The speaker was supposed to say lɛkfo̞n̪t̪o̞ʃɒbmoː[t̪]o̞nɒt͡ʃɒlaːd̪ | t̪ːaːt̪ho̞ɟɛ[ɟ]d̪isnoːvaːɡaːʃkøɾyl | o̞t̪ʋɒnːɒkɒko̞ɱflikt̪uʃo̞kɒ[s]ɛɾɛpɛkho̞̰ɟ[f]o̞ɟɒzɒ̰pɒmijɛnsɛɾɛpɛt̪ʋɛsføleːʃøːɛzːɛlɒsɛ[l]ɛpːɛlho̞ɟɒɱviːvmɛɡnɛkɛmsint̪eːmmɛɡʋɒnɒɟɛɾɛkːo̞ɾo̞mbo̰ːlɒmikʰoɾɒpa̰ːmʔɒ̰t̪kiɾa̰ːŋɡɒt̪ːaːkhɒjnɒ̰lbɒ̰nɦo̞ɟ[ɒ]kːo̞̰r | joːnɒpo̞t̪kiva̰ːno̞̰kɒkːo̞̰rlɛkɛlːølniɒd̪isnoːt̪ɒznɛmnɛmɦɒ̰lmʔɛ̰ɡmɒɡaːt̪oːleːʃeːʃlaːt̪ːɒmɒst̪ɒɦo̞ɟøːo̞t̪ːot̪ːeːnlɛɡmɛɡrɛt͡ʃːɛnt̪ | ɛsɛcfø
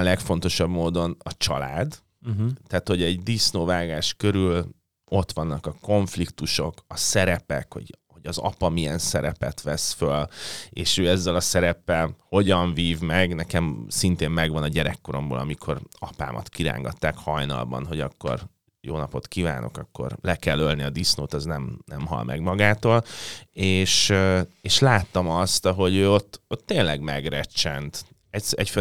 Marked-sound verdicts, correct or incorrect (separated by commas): incorrect, correct, correct, incorrect, incorrect, correct